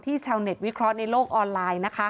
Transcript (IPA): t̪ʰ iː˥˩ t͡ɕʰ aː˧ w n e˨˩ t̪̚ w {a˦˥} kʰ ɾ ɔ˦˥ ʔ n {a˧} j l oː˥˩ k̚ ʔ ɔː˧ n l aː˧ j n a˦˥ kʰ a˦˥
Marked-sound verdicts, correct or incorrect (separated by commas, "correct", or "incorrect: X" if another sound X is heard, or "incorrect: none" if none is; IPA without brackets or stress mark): incorrect: i˦˥, correct